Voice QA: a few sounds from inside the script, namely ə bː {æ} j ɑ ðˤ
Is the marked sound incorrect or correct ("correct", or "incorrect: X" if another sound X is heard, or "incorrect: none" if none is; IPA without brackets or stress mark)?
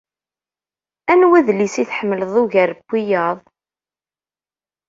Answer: incorrect: i